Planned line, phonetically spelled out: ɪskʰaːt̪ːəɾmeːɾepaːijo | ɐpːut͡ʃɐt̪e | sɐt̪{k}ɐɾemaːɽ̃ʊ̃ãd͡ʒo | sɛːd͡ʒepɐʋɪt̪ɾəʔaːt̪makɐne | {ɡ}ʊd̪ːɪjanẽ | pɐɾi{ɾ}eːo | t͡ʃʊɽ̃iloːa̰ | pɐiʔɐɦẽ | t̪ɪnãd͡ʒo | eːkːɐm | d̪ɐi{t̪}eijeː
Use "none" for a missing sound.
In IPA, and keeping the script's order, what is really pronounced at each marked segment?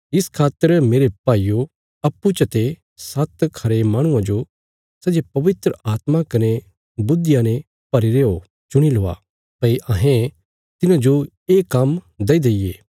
kʰ, b, ɾ, d̪

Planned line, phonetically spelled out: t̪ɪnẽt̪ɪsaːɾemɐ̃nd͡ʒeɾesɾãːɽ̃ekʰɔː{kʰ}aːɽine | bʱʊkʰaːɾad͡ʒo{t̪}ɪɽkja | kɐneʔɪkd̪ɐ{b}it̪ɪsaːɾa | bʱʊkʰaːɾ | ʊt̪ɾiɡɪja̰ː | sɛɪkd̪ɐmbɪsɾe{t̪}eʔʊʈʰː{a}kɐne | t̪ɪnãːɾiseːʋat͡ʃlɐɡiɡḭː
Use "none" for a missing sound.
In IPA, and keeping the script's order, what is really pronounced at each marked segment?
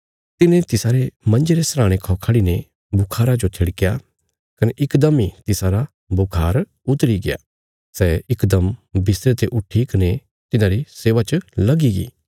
kʰ, t̪ʰ, m, t̪, i

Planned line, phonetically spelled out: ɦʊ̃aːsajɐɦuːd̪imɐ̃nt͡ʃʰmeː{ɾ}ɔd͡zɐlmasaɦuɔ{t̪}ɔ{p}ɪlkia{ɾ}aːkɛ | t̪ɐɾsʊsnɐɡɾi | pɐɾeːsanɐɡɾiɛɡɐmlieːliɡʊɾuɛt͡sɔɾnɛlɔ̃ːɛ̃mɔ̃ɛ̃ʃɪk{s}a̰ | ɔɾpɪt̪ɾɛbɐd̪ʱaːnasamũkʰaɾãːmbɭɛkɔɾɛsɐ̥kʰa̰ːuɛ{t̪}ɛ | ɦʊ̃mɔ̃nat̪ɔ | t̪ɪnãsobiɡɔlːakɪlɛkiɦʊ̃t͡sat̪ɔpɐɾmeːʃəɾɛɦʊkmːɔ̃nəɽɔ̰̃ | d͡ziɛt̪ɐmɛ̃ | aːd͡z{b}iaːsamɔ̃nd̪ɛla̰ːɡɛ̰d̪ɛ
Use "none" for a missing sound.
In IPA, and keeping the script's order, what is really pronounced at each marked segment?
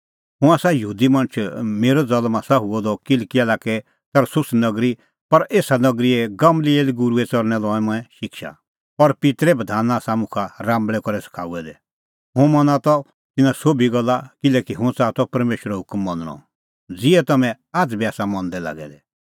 ɾ, d̪, k, l, ʃ, d̪, b

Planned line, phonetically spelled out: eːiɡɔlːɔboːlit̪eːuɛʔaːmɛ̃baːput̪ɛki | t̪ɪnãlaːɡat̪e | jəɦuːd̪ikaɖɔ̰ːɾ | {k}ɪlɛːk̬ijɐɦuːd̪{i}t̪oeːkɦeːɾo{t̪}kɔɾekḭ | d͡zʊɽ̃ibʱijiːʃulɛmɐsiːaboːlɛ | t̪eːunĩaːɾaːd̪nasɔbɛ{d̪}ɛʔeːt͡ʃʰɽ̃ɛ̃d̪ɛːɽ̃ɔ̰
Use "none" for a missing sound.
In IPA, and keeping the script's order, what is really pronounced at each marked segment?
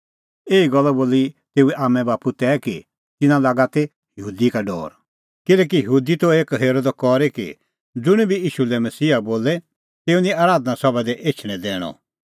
k, i, d̪, d̪

